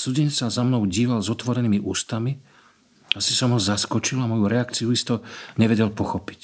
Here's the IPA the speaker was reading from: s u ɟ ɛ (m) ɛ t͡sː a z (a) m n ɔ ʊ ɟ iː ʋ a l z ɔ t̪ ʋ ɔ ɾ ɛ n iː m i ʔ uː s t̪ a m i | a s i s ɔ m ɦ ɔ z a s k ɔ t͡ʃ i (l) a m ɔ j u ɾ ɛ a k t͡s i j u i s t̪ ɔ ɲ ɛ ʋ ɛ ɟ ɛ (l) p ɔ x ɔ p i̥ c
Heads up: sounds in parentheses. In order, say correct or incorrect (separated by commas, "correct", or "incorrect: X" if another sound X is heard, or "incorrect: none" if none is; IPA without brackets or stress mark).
incorrect: ɲ, correct, correct, correct